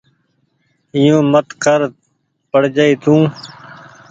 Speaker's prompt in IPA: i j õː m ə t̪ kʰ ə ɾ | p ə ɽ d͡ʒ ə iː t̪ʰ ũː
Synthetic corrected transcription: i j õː m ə t̪ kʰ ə ɾ | p ə ɽ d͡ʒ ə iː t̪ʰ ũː